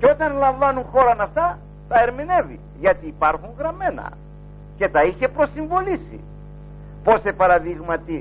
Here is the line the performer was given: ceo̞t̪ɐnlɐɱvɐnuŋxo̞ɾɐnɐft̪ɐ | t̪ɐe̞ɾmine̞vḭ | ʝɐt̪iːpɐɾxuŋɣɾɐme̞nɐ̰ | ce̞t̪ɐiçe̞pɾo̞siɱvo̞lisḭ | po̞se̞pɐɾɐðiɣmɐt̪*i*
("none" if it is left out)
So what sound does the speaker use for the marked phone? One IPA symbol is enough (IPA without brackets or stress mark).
i